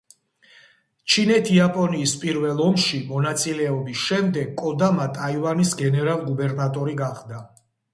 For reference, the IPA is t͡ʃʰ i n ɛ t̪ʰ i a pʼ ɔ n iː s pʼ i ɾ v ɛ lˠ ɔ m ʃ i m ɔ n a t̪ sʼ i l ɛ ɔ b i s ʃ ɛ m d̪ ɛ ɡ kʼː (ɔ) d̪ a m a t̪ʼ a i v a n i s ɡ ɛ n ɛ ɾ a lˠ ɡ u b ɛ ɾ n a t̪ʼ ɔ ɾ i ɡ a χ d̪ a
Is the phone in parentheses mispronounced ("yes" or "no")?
no